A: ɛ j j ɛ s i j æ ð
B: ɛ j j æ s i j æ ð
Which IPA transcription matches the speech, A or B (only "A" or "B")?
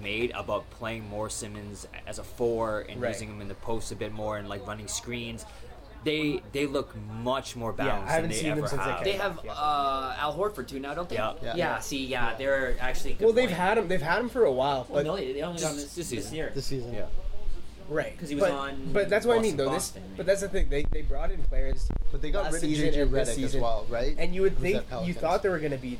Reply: B